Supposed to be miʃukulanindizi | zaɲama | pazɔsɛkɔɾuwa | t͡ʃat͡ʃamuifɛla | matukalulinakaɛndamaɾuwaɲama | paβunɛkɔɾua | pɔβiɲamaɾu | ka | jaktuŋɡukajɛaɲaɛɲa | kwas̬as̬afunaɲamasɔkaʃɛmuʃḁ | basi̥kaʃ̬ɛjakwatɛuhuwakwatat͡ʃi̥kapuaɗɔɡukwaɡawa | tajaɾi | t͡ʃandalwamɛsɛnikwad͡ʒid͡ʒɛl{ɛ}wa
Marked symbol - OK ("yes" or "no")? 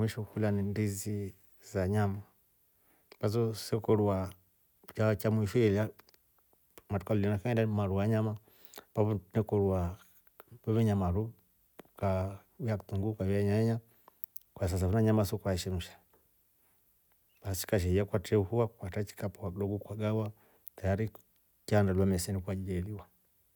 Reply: no